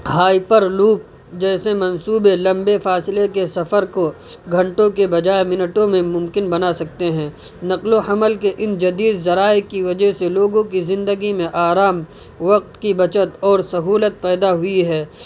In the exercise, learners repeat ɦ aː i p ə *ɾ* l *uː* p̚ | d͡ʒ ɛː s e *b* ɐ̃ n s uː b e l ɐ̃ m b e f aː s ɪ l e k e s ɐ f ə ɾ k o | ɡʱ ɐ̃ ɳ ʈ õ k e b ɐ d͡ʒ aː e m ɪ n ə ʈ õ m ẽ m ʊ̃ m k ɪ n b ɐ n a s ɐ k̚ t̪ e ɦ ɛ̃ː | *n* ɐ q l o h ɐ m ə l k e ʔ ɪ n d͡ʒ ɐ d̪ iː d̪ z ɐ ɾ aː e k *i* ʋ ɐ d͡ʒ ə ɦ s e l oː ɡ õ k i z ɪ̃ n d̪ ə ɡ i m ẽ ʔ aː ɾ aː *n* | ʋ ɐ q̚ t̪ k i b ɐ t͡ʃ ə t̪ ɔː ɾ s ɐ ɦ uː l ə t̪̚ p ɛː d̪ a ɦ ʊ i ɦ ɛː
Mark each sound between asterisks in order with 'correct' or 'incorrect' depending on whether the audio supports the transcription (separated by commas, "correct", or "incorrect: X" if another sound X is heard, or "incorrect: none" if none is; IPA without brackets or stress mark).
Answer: correct, correct, incorrect: m, correct, correct, incorrect: m